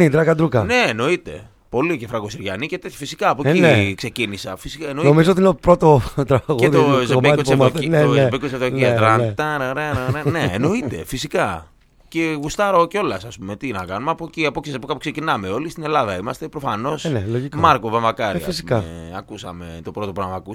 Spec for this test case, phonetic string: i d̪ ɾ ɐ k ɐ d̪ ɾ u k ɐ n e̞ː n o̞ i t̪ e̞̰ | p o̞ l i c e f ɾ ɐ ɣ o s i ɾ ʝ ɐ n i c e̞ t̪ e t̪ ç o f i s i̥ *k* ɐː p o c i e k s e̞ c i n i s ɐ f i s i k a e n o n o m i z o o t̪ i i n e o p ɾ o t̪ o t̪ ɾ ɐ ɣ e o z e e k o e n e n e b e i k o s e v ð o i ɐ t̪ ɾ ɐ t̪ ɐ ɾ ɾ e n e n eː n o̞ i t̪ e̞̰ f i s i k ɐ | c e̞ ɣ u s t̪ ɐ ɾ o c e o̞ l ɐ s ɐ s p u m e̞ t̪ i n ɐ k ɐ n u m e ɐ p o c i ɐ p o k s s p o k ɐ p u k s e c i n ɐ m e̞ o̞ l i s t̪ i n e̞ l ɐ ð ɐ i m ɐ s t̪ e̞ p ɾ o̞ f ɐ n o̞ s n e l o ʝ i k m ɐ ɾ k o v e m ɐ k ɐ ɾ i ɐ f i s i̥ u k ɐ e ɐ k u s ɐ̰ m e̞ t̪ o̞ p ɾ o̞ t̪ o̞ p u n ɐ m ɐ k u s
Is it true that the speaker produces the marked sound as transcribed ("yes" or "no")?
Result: yes